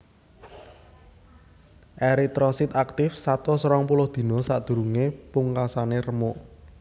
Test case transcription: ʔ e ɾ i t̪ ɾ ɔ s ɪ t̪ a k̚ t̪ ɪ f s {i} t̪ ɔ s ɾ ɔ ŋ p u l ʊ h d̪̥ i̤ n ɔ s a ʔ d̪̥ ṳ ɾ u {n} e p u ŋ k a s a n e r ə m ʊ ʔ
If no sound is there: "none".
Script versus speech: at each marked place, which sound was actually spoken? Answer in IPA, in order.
a, ŋ

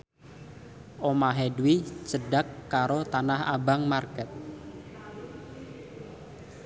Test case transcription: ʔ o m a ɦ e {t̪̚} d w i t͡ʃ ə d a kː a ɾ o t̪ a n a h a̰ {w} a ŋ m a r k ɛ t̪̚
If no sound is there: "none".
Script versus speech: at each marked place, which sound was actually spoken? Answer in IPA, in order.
none, b

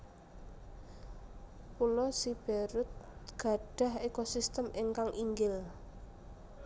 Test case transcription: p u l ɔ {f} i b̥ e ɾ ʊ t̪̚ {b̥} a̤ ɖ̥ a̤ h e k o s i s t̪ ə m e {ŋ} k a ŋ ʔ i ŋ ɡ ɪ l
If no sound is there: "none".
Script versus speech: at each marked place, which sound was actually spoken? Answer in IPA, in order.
s, ɡ̥, ŋ

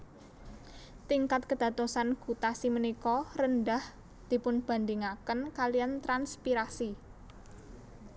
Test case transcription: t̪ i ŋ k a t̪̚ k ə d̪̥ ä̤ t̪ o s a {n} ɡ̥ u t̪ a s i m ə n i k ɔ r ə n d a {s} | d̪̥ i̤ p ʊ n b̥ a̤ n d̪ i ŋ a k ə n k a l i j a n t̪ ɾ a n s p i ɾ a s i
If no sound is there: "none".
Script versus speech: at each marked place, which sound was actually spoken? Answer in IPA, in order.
n, h

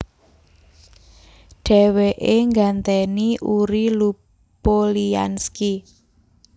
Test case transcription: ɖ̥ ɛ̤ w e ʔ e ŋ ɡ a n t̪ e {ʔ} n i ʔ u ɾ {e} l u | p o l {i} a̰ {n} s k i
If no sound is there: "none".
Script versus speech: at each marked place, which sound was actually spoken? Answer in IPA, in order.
none, i, i, n

